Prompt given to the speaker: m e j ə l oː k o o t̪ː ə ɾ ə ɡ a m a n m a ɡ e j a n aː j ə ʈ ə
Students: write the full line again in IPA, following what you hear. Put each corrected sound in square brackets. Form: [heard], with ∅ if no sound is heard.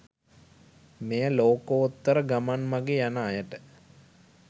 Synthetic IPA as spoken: m e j ə l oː k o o t̪ː ə ɾ ə ɡ a m a n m a ɡ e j a n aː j ə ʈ ə